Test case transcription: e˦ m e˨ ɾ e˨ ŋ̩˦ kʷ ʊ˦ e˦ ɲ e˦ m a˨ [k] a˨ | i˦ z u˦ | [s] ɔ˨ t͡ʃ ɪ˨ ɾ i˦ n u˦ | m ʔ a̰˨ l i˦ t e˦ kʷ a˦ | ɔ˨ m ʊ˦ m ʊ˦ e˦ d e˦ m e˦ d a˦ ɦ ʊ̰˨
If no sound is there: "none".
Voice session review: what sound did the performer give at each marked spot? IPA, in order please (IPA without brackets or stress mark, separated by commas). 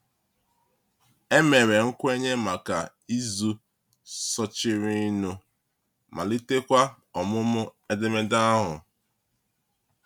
k, s